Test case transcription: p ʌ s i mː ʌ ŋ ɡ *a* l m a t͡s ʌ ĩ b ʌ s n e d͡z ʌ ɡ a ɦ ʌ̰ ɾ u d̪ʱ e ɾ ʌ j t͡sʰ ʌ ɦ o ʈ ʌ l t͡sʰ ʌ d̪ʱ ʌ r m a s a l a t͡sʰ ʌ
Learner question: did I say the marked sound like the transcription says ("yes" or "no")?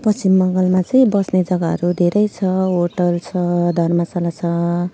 no